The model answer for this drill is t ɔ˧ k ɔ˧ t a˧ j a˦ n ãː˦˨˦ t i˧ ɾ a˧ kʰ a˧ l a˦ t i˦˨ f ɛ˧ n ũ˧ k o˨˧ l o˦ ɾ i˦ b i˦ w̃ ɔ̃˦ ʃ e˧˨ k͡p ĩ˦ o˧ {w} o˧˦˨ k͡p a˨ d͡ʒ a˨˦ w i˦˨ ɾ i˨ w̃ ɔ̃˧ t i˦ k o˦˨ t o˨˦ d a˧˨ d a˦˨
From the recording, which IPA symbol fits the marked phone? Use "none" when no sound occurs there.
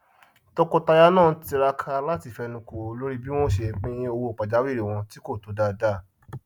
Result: w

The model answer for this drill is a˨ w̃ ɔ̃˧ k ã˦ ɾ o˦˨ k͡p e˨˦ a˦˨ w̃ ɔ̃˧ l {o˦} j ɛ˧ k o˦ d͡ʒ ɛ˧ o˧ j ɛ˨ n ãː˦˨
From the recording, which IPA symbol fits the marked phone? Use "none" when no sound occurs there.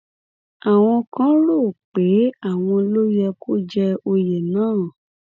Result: o˦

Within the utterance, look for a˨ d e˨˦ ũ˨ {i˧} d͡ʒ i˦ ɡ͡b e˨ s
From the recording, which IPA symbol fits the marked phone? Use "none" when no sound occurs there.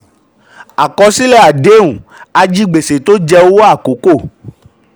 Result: a˧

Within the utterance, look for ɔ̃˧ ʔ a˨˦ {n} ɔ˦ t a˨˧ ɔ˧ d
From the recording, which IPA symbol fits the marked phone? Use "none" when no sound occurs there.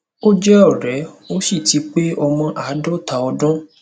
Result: d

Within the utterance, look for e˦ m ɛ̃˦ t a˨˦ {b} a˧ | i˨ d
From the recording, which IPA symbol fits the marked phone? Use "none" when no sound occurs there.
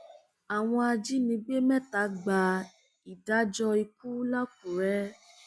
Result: ɡ͡b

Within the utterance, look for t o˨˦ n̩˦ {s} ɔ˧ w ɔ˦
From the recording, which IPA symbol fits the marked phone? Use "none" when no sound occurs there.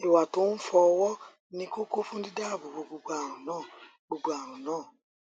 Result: f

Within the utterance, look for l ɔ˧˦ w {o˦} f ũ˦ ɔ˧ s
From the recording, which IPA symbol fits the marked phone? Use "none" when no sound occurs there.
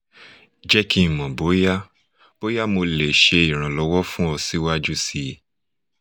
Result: ɔ˦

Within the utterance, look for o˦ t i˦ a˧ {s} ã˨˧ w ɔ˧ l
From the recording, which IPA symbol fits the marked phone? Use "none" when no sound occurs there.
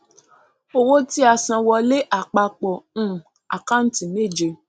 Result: s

